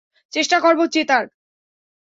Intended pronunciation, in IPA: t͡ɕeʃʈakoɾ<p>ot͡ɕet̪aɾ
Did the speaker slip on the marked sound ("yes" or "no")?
yes